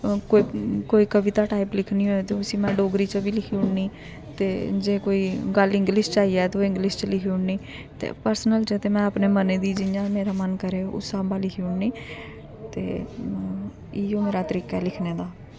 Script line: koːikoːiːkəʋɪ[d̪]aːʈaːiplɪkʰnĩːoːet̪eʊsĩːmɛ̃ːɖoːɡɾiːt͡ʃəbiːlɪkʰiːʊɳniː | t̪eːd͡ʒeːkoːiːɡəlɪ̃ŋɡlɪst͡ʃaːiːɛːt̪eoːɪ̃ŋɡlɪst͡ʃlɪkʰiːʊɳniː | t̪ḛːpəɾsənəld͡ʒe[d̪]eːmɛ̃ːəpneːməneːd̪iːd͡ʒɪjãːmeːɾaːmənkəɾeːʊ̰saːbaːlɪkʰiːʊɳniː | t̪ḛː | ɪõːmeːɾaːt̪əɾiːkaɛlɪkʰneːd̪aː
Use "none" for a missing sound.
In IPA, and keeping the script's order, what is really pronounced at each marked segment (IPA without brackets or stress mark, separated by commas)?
t̪, t̪